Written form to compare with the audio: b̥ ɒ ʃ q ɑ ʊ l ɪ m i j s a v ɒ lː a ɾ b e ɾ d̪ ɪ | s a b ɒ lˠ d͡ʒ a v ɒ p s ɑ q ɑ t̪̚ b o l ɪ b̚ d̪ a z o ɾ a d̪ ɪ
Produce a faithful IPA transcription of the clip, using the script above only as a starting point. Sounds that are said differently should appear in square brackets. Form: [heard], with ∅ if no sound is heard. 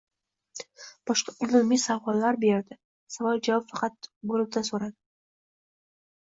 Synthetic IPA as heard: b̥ ɒ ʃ q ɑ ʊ l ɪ m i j s a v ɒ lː a ɾ b e ɾ d̪ ɪ | s a [v] ɒ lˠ d͡ʒ a v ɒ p [f] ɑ q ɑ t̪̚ b o l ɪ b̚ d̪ a [s] o ɾ a d̪ ɪ